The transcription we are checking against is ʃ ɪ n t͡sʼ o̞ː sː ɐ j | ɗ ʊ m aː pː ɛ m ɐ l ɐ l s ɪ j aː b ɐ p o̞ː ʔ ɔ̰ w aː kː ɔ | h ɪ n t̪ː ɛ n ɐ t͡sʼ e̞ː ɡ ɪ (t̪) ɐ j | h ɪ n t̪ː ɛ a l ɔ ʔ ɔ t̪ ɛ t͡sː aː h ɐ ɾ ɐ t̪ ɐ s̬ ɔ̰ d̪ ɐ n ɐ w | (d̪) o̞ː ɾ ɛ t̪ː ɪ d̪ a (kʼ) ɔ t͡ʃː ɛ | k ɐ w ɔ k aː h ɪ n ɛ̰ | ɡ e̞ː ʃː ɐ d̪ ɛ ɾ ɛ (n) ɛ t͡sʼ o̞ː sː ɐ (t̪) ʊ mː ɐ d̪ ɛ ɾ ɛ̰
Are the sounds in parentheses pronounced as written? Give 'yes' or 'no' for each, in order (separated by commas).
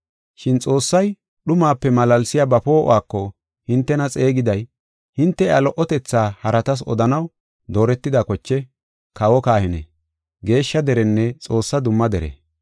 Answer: no, yes, no, no, no